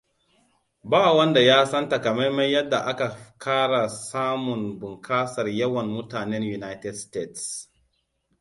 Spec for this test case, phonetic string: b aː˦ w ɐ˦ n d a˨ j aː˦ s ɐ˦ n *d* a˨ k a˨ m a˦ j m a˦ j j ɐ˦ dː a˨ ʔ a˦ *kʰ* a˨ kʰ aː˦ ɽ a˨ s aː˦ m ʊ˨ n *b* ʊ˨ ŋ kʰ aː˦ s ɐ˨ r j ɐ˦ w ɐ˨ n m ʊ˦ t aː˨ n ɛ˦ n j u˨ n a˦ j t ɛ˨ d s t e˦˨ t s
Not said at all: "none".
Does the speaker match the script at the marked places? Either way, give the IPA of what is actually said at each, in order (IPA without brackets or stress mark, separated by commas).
t, k, b